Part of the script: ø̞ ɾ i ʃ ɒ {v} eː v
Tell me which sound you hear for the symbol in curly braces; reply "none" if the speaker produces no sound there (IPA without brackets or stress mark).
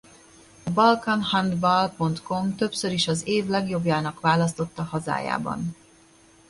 z